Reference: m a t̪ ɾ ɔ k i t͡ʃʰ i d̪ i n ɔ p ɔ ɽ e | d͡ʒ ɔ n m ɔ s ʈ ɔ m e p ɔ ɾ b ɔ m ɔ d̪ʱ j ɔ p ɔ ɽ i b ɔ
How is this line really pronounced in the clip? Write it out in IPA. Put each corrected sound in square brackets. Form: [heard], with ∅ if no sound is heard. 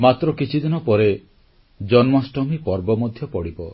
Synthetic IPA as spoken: m a t̪ ɾ ɔ k i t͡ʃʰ i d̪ i n ɔ p ɔ [ɾ] e | d͡ʒ ɔ n m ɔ s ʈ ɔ m [i] p ɔ ɾ b ɔ m ɔ d̪ʱ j ɔ p ɔ ɽ i b ɔ